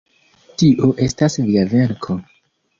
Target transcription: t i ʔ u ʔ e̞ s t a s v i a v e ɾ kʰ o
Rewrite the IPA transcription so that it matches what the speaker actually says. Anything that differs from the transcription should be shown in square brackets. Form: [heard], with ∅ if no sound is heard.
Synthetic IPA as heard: t i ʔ [o] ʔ e̞ s t a s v i a v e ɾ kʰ o